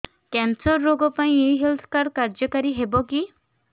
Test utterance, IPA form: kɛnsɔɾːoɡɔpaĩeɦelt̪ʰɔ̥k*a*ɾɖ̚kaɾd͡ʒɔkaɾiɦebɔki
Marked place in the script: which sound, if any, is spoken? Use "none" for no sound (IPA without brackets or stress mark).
a